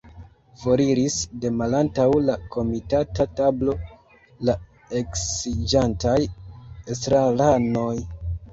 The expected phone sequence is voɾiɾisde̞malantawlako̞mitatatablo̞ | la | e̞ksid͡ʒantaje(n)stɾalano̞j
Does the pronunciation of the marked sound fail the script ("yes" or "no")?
yes